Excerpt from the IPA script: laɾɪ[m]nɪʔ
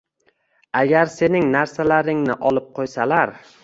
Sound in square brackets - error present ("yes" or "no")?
yes